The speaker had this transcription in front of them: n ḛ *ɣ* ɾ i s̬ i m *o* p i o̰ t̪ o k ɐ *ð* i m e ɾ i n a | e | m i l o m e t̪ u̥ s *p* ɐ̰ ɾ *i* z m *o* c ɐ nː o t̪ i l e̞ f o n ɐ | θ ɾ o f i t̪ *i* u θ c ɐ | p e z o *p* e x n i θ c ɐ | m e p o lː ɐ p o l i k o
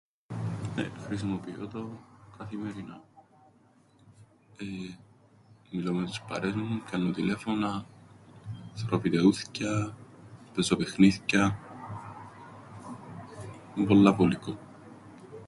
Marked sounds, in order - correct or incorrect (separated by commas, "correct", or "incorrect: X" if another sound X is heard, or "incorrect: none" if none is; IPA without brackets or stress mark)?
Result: incorrect: x, correct, incorrect: θ, correct, incorrect: e, incorrect: u, incorrect: e, correct